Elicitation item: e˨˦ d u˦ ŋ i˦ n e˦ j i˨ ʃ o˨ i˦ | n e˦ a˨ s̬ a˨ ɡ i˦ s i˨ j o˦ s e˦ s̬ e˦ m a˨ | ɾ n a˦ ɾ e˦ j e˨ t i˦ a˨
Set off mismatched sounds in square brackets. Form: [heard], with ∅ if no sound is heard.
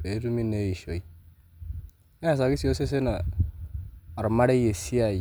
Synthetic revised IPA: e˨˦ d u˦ [m] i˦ n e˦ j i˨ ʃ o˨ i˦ | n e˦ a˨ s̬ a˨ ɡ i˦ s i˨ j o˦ s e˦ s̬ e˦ [n] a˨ | ɾ [m] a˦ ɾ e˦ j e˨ [s] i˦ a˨

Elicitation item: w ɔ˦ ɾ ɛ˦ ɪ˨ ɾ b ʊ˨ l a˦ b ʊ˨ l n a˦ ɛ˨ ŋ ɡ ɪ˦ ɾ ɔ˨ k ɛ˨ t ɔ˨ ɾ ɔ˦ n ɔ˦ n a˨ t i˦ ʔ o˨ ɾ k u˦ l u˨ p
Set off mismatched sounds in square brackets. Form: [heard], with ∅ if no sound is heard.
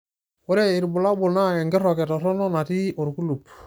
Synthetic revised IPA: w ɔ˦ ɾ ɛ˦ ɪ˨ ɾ b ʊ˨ l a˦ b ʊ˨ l n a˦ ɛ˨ ŋ ɡ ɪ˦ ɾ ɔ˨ k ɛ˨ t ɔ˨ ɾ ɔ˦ n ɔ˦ n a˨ t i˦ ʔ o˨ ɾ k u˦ l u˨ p

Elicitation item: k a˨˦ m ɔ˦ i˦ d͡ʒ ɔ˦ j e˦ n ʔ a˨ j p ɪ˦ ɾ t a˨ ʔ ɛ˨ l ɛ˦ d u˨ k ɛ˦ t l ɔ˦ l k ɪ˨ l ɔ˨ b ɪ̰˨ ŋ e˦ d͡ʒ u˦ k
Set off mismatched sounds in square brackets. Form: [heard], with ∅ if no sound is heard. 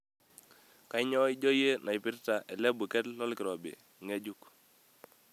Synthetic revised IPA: k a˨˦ [ɲ] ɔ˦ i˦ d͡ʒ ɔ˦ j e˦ n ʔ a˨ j p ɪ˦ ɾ t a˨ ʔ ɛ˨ l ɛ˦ [b] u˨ k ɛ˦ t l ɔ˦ l k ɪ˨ [ɾ] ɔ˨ b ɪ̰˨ ŋ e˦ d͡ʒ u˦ k

